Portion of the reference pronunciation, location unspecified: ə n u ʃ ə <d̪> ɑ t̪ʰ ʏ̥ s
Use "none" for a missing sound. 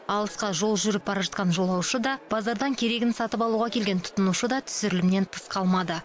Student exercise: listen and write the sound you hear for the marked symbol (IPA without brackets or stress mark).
d̪